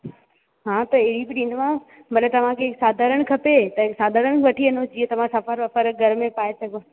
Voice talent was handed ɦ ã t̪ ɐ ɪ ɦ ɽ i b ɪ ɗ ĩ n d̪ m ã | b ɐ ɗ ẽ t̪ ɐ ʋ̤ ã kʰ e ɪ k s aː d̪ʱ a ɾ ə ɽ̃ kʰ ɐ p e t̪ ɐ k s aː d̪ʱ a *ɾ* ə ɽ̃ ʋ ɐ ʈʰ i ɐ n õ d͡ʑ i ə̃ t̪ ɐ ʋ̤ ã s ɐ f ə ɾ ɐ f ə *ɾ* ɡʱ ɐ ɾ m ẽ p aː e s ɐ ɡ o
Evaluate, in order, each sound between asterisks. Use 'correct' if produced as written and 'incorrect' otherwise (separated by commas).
correct, correct